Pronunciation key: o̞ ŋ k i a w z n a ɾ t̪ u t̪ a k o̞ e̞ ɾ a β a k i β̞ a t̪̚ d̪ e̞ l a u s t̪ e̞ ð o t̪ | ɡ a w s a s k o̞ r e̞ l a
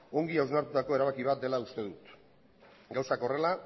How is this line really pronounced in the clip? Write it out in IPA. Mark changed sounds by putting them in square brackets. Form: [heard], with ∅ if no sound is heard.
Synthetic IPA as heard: o̞ ŋ [ɡ] i a w z n a ɾ t̪ u t̪ a k o̞ e̞ ɾ a β a k i β̞ a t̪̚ d̪ e̞ l a u s t̪ e̞ ð [u] t̪ | ɡ a w s a [∅] k o̞ r e̞ l a